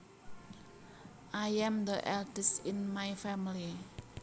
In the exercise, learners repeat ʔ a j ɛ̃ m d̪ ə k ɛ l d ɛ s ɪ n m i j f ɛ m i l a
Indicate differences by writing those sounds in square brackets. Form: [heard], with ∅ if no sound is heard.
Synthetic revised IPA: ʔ a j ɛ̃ m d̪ ə [ʔ] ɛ l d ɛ s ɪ n m [a] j f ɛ m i l [i]